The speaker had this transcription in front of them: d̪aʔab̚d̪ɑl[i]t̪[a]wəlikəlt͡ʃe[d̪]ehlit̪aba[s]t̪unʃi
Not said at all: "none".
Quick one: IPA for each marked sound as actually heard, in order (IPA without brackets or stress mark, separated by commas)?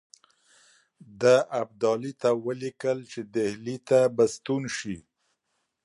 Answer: i, a, d̪, s